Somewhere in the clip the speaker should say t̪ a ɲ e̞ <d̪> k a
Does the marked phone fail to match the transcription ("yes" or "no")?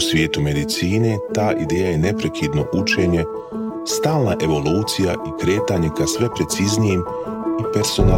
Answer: yes